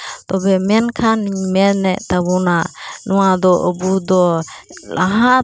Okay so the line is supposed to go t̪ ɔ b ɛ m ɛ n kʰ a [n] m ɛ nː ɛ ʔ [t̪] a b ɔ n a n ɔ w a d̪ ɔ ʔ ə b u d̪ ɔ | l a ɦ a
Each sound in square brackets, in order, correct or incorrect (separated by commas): correct, correct